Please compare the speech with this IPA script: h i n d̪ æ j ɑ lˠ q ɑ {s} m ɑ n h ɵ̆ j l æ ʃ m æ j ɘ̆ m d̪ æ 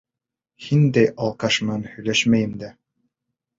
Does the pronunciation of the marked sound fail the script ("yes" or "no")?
yes